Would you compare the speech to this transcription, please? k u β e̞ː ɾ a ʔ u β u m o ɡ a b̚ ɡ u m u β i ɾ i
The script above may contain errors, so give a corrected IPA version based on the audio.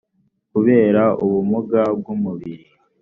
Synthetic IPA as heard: k u β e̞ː ɾ a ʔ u β u m u ɡ a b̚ ɡ u m u β i ɾ i